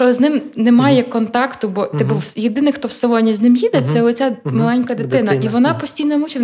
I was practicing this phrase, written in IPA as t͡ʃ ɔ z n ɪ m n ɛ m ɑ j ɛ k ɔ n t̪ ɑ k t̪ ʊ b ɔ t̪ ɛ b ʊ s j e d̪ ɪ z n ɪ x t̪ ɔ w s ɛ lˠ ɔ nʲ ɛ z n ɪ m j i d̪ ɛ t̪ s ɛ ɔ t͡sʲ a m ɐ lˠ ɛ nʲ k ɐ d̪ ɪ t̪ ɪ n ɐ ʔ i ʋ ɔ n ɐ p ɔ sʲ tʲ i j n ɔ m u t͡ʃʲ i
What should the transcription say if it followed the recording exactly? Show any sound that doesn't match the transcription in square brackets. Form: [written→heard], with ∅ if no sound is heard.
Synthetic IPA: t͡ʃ ɔ z n ɪ m n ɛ m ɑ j ɛ k ɔ n t̪ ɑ k t̪ ʊ b ɔ t̪ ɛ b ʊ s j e d̪ ɪ [z→∅] n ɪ x t̪ ɔ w s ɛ lˠ ɔ nʲ [ɛ→i] z n ɪ m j i d̪ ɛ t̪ s ɛ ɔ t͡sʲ a m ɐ lˠ ɛ nʲ k ɐ d̪ ɪ t̪ ɪ n ɐ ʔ i ʋ ɔ n [ɐ→ɑ] p ɔ sʲ tʲ i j n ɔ m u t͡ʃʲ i